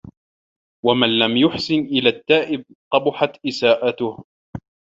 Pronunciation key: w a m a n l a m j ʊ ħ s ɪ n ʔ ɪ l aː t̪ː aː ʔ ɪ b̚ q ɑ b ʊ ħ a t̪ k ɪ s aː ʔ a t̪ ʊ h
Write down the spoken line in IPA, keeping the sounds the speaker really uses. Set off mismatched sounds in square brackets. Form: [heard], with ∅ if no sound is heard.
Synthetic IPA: w a m a n l a m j ʊ ħ s ɪ n ʔ ɪ l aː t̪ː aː ʔ ɪ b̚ q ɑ b ʊ ħ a t̪ [ʔ] ɪ s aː ʔ a t̪ ʊ h